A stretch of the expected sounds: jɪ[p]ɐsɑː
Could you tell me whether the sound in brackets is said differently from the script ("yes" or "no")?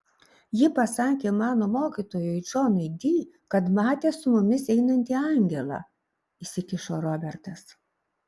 no